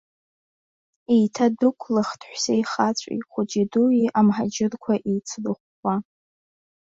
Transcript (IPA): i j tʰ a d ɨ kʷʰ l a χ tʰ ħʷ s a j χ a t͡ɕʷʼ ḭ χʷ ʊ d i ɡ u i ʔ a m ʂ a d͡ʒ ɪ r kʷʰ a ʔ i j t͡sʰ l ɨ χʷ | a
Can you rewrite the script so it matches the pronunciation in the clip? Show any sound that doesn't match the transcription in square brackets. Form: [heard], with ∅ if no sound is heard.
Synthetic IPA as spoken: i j tʰ a d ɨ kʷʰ l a χ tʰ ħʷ s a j χ a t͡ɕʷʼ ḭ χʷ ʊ [d͡ʒ] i [d] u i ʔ a m [ħ] a d͡ʒ ɪ r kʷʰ a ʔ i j t͡sʰ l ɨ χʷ | a